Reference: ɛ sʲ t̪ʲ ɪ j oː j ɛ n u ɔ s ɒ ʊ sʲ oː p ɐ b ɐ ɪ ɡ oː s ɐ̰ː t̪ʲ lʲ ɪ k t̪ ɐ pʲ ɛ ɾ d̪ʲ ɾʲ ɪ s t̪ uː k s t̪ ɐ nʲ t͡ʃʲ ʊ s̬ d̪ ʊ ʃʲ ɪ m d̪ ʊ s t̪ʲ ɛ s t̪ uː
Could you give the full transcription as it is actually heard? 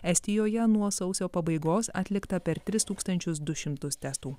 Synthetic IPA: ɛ sʲ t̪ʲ ɪ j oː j ɛ n u ɔ s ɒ ʊ sʲ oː p ɐ b ɐ ɪ ɡ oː s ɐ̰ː t̪ʲ lʲ ɪ k t̪ ɐ pʲ ɛ ɾ t̪ʲ ɾʲ ɪ s t̪ uː k s t̪ ɐ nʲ t͡ʃʲ ʊ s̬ d̪ ʊ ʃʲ ɪ m t̪ ʊ s t̪ʲ ɛ s t̪ uː